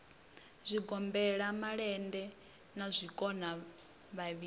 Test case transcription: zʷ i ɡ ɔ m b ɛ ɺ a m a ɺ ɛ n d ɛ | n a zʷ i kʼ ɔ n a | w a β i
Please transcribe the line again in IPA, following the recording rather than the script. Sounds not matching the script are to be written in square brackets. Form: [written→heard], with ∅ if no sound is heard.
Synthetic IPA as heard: zʷ i ɡ ɔ m b ɛ ɺ a m a ɺ ɛ n d ɛ | n a zʷ i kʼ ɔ n a | [w→β] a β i

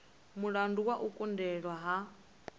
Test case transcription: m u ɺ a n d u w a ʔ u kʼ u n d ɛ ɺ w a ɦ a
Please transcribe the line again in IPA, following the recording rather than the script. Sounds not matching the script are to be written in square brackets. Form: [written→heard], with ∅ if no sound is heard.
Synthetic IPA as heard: m u ɺ a n d u w a ʔ u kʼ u n d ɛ ɺ w a ɦ a

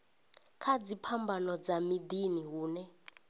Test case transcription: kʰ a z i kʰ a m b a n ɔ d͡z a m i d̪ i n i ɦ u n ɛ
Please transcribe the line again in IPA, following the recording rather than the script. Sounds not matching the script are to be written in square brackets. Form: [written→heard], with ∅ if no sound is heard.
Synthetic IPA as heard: kʰ a [z→d͡z] i [kʰ→pʰ] a m b a n ɔ d͡z a m i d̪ i n i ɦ [u→uː] n ɛ

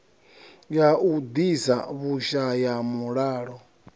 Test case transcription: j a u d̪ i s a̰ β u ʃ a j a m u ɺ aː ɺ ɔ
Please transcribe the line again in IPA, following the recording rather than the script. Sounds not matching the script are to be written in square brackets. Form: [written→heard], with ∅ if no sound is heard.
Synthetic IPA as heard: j a u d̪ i s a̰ β u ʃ a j a m u ɺ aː ɺ ɔ

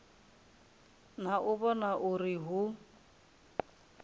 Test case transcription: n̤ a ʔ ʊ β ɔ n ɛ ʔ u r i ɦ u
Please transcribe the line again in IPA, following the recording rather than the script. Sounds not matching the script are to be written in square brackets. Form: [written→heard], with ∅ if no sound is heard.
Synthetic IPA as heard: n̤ a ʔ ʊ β ɔ n [ɛ→a] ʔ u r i ɦ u

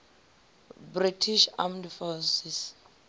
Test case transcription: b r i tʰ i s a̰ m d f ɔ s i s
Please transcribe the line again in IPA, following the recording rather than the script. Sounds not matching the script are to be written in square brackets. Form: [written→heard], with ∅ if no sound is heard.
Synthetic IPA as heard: b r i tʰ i [s→ʃ] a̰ m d f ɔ s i s

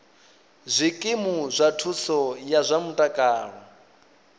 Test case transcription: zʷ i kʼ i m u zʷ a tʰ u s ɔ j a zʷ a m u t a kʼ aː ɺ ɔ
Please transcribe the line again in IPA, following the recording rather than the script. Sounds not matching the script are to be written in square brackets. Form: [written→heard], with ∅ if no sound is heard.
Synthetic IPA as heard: zʷ i kʼ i m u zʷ a tʰ u s ɔ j a zʷ a m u [t→tʼ] a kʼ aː ɺ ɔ

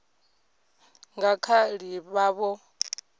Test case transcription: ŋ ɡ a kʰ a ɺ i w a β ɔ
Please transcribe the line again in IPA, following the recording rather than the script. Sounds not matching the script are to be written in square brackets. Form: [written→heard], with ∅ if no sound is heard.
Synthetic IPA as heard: ŋ ɡ a kʰ a ɺ i [w→β] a β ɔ

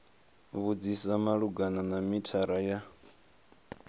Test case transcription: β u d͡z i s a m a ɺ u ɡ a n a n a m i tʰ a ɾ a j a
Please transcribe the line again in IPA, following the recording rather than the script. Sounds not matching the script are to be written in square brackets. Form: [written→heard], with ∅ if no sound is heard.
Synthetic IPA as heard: β u d͡z i s a m a ɺ u ɡ a n a n a m i tʰ a ɾ a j a

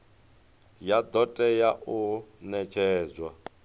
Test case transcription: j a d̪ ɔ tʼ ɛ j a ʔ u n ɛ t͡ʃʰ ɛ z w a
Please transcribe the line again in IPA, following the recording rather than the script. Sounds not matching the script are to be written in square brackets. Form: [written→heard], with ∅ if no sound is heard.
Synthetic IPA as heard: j a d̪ ɔ tʼ ɛ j a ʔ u n ɛ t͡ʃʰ [ɛ→ɛː] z w a

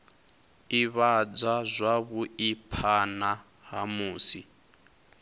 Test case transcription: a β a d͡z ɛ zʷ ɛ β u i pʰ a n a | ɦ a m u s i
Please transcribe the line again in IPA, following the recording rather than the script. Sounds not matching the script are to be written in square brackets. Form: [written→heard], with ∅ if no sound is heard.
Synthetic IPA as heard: [a→i] β a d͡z [ɛ→a] zʷ [ɛ→a] β u i pʰ a n a | ɦ a m [u→uː] s i

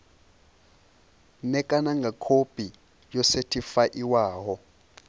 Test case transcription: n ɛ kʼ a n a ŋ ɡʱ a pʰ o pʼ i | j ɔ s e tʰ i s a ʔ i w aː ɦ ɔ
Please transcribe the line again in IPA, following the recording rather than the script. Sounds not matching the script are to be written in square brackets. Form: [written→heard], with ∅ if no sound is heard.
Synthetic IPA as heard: n ɛ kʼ a n a ŋ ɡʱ a [pʰ→kʰ] o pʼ i | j ɔ s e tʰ i [s→f] a ʔ i w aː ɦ ɔ

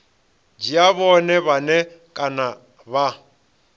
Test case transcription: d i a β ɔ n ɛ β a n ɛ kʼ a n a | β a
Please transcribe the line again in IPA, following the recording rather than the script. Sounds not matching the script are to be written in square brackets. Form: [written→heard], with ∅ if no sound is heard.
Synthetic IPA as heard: [d→d͡ʒ] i a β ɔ n ɛ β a n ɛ kʼ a n a | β a

